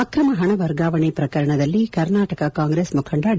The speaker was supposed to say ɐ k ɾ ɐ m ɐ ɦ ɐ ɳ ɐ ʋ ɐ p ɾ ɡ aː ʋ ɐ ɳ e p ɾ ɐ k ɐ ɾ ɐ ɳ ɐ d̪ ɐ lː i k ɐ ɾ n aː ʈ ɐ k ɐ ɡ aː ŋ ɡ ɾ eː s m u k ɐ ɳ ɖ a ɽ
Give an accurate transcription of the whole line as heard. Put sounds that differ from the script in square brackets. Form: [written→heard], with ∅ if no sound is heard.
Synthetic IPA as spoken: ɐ k ɾ ɐ m ɐ ɦ ɐ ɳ ɐ ʋ ɐ [p→∅] ɾ ɡ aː ʋ ɐ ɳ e p ɾ ɐ k ɐ ɾ ɐ ɳ ɐ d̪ ɐ lː i k ɐ ɾ n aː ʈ ɐ k ɐ [ɡ→k] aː ŋ ɡ ɾ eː s m u [k→kʰ] ɐ ɳ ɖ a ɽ